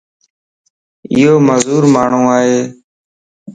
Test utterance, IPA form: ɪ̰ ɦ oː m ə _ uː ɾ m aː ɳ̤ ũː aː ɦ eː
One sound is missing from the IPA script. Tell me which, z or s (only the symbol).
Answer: z